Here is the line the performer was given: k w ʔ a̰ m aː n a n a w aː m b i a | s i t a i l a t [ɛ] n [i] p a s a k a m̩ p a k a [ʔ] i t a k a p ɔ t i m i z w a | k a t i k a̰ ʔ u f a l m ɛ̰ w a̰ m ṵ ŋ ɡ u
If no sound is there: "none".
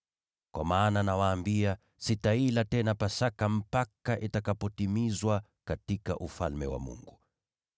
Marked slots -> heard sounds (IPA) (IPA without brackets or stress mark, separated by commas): ɛ, a, ʔ